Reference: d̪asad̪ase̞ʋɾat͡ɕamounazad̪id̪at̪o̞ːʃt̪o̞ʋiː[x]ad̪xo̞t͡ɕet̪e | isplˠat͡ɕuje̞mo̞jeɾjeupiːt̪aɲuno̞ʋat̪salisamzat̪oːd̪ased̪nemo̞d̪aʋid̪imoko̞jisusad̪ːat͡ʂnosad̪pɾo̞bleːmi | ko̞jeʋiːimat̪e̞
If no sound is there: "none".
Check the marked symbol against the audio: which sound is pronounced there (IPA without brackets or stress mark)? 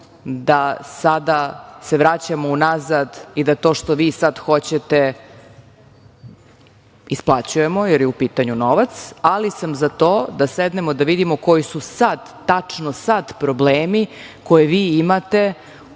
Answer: s